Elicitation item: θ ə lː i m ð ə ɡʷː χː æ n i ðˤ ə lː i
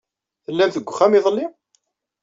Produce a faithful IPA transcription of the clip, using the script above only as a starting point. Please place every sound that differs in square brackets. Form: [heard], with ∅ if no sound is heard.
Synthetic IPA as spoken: θ ə lː [æ] m [θ] ə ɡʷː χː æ [m] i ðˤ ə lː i

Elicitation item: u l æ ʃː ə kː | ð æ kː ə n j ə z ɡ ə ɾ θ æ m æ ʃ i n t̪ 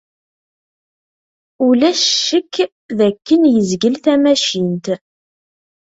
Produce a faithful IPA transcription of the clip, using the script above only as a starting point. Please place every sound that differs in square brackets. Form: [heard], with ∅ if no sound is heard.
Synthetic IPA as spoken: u l æ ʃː ə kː | ð æ kː ə n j ə z ɡ ə [l] θ æ m æ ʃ i n t̪

